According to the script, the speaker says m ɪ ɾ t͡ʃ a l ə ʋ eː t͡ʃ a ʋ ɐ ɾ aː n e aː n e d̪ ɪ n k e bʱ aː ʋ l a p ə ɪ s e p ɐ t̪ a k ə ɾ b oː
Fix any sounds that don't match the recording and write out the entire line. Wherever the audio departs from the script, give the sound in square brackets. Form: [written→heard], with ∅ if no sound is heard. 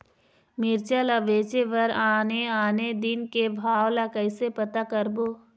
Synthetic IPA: m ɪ ɾ t͡ʃ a l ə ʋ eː t͡ʃ [a→e] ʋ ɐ ɾ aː n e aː n e d̪ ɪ n k e bʱ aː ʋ l a [p→k] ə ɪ s e p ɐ t̪ a k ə ɾ b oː